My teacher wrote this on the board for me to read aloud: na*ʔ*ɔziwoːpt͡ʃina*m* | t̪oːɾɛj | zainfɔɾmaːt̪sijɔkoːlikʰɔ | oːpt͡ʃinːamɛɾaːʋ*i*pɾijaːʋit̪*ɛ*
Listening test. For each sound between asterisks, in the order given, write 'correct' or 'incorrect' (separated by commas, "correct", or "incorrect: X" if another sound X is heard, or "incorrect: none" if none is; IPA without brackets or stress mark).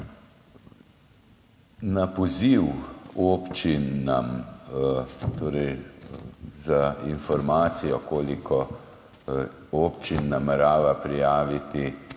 incorrect: p, correct, incorrect: a, incorrect: i